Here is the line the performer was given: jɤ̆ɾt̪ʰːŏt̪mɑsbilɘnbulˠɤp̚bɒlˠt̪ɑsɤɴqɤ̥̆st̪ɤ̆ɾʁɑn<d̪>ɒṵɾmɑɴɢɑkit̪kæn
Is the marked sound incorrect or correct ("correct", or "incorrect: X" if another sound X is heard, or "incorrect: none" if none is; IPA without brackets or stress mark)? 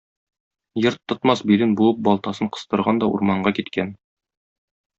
correct